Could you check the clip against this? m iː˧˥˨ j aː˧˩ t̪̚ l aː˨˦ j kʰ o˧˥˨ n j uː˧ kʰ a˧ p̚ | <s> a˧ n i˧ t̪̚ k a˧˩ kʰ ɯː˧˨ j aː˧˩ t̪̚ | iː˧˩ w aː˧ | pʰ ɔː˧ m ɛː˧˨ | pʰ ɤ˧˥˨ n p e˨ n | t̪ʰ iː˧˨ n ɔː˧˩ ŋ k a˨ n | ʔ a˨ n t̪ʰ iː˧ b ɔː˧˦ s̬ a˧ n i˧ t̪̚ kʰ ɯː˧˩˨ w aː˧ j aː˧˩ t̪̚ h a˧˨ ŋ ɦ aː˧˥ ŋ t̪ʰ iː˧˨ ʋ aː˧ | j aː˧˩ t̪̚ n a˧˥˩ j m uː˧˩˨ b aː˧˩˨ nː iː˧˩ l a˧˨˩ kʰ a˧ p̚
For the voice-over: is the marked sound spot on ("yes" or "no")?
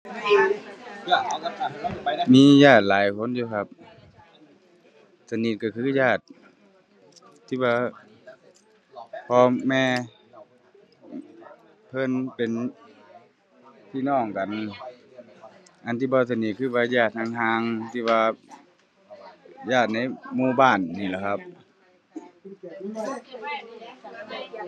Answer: yes